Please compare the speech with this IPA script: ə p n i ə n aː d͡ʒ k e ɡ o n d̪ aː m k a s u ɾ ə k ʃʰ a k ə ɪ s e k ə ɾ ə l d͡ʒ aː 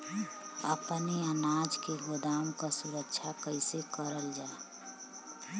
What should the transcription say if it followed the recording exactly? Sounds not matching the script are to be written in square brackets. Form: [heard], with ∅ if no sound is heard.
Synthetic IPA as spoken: ə p n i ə n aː d͡ʒ k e ɡ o [∅] d̪ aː m k a s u ɾ ə k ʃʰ a k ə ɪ s e k ə ɾ ə l d͡ʒ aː

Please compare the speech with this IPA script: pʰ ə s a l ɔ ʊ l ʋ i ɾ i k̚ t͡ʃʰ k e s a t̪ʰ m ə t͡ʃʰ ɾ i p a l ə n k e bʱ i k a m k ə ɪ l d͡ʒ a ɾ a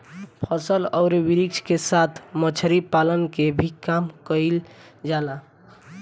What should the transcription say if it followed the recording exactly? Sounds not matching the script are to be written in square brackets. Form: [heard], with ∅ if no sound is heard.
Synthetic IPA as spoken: pʰ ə s [ə] l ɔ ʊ [ɾ] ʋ i ɾ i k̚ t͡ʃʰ k e s a t̪ʰ m ə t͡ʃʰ ɾ i p a l ə n k e bʱ i k a m k ə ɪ l d͡ʒ a [l] a

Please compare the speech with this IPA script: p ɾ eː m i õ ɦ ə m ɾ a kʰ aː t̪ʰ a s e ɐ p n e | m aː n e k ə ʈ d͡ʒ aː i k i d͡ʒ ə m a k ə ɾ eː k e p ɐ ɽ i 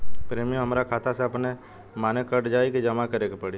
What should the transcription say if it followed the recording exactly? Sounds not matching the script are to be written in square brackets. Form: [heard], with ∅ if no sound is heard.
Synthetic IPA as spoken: p ɾ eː m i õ ɦ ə m ɾ a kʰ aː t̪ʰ a s e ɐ p n e | m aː n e k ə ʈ d͡ʒ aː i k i d͡ʒ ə m a k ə ɾ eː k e p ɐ ɽ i

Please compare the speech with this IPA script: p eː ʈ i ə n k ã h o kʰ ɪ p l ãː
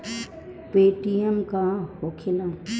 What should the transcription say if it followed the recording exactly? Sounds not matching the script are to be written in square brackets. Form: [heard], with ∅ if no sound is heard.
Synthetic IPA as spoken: p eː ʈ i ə [m] k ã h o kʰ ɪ [∅] l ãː

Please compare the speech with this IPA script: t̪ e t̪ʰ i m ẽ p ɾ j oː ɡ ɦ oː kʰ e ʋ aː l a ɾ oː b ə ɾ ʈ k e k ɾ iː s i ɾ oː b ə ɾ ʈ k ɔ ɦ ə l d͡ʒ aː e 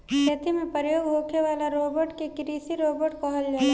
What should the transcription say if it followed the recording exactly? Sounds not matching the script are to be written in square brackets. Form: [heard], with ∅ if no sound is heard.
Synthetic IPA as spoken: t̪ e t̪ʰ i m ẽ p ɾ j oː ɡ ɦ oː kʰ e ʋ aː l a ɾ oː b ə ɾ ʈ k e k ɾ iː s i ɾ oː b ə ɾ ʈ k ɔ ɦ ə l d͡ʒ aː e

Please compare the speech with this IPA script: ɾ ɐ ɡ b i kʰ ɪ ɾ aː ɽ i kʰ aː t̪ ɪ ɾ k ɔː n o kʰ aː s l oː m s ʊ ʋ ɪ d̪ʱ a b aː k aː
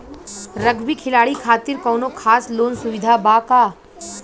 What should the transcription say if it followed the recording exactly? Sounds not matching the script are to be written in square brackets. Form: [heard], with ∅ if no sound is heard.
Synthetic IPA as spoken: ɾ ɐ ɡ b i kʰ ɪ [l] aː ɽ i kʰ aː t̪ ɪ ɾ k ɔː n o kʰ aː s l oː [n] s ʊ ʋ ɪ d̪ʱ a b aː k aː

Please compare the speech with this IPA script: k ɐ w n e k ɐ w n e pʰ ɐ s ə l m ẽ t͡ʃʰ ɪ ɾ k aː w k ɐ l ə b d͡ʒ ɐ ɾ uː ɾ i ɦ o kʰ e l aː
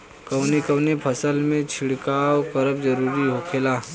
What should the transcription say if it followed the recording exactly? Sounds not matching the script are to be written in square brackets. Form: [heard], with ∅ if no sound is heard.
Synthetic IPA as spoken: k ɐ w n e k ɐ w n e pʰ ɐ s ə l m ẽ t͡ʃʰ ɪ [ɽ] k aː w k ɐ [ɾ] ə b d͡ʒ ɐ ɾ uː ɾ i ɦ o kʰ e l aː

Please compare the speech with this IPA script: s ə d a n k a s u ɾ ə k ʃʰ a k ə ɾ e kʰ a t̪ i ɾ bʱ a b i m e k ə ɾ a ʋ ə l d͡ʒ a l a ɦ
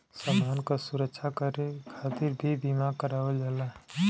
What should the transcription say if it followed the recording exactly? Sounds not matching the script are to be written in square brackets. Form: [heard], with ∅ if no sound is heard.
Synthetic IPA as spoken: s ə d a n k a s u ɾ ə k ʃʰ a k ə ɾ e kʰ a t̪ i ɾ bʱ [i] b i m [a] k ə ɾ a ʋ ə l d͡ʒ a l a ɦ

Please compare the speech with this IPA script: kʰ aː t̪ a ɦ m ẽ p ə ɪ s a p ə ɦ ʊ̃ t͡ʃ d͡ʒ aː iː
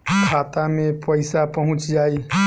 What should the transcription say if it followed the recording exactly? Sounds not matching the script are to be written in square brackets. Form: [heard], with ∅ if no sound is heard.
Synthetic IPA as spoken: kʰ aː t̪ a [∅] m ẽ p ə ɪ s a p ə ɦ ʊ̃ t͡ʃ d͡ʒ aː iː

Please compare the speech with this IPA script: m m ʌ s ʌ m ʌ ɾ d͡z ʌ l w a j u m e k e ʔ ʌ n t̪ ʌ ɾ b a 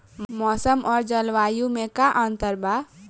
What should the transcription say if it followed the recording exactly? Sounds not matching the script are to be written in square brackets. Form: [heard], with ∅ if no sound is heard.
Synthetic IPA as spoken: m m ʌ s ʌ m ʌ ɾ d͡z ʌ l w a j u m e k [a] ʔ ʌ n t̪ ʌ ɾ b a

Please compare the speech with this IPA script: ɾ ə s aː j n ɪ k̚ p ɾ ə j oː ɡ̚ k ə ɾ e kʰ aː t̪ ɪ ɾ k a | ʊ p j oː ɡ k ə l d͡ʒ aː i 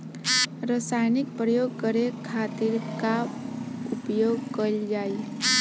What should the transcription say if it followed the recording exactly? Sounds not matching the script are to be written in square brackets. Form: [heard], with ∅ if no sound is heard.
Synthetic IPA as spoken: ɾ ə s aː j n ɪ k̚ p ɾ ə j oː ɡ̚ k ə ɾ e kʰ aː t̪ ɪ ɾ k a | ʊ p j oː ɡ k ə l d͡ʒ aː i

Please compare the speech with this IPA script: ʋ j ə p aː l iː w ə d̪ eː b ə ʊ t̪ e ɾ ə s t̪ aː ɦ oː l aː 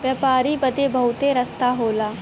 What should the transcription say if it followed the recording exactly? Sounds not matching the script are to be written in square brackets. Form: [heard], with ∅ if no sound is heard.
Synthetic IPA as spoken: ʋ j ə p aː [ɾ] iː [b] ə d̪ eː b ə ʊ t̪ e ɾ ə s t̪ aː ɦ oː l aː

